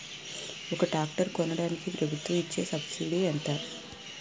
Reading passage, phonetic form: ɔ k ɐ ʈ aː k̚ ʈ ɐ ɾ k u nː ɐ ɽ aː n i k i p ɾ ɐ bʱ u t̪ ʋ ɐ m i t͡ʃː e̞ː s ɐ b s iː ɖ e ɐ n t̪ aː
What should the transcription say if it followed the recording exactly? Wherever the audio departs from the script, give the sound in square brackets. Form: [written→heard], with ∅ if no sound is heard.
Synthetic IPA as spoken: ɔ k ɐ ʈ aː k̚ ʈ ɐ ɾ k [u→ɔ] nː ɐ ɽ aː n i k i p ɾ ɐ bʱ u t̪ ʋ ɐ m i t͡ʃː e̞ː s ɐ b s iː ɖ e ɐ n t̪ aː